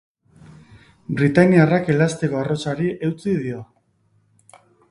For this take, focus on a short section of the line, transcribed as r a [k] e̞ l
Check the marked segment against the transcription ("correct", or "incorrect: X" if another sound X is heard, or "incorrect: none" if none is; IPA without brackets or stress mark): correct